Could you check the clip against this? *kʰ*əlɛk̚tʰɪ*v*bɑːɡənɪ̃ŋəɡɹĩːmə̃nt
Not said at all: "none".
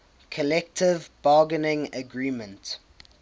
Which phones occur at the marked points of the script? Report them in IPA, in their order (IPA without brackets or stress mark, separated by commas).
kʰ, v